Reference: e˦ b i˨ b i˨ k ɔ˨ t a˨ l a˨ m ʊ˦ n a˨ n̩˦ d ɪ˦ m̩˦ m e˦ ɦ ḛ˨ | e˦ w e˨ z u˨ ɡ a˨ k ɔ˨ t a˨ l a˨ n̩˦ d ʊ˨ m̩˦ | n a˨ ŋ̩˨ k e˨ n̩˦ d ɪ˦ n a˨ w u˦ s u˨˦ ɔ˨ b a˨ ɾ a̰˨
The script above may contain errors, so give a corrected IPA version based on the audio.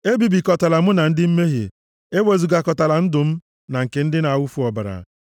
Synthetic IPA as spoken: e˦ b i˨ b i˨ k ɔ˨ t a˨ l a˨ m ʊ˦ n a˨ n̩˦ d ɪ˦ m̩˦ m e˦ ɦ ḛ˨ | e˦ w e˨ z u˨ ɡ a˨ k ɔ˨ t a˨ l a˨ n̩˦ d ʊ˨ m̩˦ | n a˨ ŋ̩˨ k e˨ n̩˦ d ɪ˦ n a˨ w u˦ f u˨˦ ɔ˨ b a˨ ɾ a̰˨